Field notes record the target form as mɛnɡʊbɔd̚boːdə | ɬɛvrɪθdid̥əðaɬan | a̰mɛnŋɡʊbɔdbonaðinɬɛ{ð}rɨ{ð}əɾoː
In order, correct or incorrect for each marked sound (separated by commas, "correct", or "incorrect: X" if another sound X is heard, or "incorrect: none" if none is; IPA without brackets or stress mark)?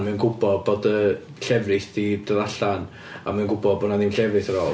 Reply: incorrect: v, incorrect: θ